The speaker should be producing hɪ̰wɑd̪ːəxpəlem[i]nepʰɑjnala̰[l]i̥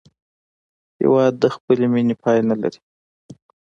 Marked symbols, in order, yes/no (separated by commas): yes, no